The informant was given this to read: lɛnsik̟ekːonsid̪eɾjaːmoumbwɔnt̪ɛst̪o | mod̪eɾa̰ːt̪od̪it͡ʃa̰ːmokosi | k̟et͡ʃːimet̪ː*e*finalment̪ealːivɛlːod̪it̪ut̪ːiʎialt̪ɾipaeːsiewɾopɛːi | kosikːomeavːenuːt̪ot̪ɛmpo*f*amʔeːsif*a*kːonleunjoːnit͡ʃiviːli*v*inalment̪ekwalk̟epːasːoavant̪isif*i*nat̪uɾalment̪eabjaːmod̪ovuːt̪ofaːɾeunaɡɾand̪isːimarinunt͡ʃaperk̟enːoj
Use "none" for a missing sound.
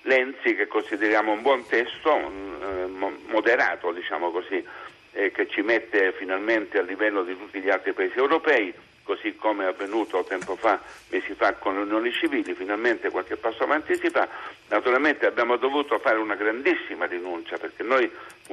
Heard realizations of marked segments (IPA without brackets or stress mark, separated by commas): e, f, a, f, a